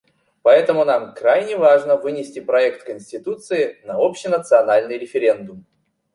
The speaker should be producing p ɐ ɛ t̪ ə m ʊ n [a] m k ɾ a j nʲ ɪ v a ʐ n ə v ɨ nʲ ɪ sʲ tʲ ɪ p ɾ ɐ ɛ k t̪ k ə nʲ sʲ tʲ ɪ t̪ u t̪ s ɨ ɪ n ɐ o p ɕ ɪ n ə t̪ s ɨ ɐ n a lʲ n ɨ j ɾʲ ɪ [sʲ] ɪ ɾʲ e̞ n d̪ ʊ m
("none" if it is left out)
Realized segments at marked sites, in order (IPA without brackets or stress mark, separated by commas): a, fʲ